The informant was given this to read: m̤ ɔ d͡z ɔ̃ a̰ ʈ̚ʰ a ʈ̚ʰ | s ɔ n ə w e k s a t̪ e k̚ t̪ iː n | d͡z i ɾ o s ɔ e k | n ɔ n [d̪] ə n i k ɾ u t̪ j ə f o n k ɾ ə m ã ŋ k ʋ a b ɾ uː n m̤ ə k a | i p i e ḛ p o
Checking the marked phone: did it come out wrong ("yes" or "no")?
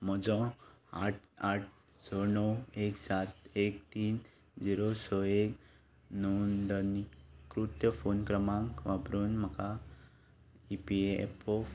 no